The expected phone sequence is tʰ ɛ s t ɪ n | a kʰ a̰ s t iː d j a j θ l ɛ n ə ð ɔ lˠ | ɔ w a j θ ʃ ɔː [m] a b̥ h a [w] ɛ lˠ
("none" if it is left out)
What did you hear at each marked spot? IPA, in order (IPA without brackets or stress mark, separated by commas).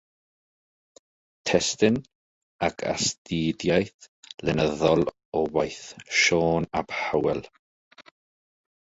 n, w